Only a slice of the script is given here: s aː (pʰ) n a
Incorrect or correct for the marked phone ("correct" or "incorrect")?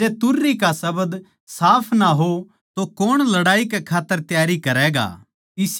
correct